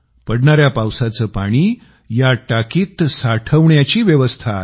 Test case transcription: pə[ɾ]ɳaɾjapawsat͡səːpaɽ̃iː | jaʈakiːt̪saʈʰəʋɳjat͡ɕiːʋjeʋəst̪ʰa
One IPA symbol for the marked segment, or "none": ɽ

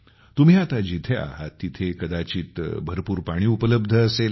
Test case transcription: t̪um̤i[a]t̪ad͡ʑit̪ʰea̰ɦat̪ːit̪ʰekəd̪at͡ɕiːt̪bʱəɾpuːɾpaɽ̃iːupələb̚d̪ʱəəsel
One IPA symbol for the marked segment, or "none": a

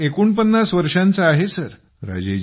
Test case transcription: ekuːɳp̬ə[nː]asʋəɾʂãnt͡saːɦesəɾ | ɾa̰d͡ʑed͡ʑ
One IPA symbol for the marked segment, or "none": nː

